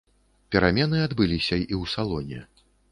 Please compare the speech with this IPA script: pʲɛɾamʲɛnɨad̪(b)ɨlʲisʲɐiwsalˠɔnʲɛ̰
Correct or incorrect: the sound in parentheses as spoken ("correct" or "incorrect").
correct